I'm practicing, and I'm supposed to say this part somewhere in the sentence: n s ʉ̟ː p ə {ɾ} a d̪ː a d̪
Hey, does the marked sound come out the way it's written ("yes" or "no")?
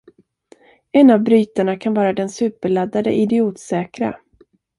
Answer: no